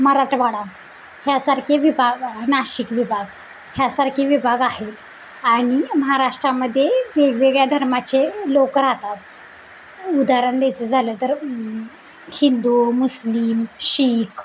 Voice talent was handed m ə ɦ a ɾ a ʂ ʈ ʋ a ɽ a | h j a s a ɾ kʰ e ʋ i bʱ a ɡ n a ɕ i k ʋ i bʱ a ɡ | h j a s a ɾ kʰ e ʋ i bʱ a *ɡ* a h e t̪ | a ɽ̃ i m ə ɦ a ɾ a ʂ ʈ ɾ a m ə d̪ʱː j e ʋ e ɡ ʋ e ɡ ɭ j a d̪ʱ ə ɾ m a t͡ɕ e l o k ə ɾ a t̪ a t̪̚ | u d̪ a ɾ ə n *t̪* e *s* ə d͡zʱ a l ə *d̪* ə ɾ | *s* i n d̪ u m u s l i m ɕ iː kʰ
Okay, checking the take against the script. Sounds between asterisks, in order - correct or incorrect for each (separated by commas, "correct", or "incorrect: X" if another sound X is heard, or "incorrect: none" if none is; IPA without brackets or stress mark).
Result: correct, incorrect: d̪, incorrect: t͡s, incorrect: t̪, incorrect: h